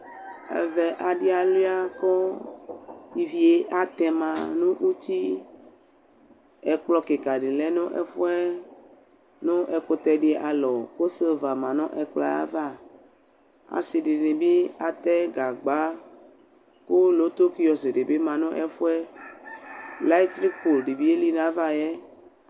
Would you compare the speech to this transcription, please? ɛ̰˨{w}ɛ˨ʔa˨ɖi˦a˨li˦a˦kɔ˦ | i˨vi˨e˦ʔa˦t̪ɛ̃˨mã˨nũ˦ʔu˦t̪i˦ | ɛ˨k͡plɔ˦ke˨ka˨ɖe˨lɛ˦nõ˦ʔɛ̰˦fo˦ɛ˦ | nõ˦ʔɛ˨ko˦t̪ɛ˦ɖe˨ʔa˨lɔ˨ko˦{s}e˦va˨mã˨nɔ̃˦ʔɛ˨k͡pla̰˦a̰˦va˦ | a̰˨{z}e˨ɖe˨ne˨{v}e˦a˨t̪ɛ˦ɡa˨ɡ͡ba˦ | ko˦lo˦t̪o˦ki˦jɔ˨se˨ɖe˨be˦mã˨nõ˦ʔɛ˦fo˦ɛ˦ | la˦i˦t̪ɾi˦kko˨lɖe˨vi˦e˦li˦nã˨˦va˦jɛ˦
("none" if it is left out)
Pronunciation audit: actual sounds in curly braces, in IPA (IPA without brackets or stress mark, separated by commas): v, s, s, b